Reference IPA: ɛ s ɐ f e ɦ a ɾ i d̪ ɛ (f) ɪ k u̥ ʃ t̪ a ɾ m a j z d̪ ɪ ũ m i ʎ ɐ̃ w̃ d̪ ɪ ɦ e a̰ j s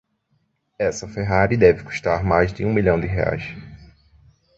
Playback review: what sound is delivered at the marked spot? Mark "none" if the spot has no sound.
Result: v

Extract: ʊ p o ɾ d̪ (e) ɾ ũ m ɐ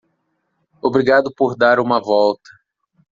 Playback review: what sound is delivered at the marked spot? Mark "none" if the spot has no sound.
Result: a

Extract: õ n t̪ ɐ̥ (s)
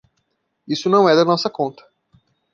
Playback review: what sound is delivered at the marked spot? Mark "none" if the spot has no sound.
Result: none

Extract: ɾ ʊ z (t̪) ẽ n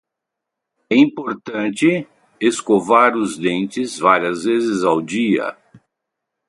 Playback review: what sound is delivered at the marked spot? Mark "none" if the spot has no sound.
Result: d̪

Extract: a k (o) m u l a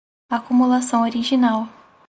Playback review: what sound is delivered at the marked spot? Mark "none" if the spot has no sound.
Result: u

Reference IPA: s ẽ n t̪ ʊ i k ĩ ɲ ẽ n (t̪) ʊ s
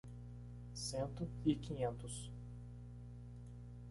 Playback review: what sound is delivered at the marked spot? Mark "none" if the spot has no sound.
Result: t̪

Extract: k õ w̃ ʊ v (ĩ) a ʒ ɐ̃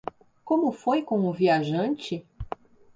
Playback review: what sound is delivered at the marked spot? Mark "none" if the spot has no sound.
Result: i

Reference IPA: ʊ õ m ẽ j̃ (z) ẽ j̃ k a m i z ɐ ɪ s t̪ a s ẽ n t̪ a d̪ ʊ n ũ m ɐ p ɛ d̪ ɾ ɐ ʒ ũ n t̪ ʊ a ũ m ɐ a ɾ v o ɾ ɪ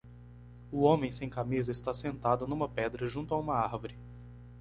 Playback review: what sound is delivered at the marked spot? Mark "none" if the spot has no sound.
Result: s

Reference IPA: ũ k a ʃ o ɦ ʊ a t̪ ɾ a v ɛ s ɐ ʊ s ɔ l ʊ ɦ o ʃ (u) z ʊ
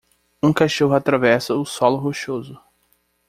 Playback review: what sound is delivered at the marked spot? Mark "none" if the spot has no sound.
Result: o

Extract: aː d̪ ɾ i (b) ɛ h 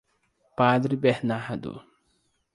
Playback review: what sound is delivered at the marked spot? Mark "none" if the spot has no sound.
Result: b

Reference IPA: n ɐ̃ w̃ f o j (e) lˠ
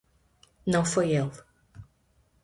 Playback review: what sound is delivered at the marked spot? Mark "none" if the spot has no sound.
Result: e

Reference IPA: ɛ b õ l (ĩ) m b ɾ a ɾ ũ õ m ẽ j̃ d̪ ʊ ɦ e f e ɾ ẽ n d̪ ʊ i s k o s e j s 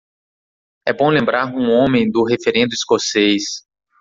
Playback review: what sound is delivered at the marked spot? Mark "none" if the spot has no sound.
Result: ẽ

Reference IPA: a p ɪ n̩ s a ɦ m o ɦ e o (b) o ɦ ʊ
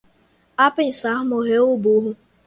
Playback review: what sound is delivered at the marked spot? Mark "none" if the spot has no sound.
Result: b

